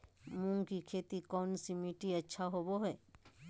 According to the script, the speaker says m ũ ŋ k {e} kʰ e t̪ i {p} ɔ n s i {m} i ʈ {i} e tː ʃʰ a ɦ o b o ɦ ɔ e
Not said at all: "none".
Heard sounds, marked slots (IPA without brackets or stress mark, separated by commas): i, k, m, i